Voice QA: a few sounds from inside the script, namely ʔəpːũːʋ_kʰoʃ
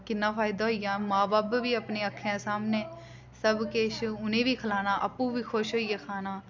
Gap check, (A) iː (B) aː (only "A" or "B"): A